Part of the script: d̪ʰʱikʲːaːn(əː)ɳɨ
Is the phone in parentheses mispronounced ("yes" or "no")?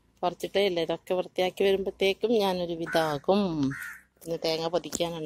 yes